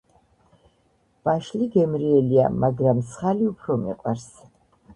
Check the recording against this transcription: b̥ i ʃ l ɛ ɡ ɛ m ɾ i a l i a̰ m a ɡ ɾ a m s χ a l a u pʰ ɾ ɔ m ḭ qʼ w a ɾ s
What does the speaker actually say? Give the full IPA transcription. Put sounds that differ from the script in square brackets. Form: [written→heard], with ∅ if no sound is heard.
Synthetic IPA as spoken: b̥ [i→a] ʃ l [ɛ→i] ɡ ɛ m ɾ i [a→ɛ] l i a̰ m a ɡ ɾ a m s χ a l [a→i] u pʰ ɾ ɔ m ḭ qʼ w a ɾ s